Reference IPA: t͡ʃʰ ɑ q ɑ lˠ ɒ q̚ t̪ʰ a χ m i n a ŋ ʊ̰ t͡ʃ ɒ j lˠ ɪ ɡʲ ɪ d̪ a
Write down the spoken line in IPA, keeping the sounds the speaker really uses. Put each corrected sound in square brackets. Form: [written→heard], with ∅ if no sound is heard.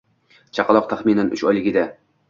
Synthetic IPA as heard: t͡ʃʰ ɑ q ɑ lˠ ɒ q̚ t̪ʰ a χ m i n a [ŋ→n] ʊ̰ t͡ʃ ɒ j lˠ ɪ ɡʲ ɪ d̪ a